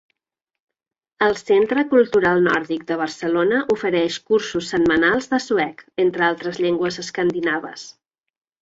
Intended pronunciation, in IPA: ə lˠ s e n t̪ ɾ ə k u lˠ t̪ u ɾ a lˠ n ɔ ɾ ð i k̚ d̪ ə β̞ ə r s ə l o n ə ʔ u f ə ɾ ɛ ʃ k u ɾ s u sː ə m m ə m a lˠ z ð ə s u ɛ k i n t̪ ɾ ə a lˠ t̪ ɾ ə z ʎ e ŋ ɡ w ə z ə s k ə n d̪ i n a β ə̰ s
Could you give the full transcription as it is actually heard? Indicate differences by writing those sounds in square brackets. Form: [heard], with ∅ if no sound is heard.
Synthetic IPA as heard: ə lˠ s e n t̪ ɾ ə k u lˠ t̪ u ɾ a lˠ n ɔ ɾ ð i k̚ d̪ ə β̞ ə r s ə l o n ə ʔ u f ə ɾ ɛ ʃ k u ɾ s u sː ə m m ə [n] a lˠ z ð ə s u ɛ k [e] n t̪ ɾ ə a lˠ t̪ ɾ ə z ʎ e ŋ ɡ w ə z ə s k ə n d̪ i n a β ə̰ s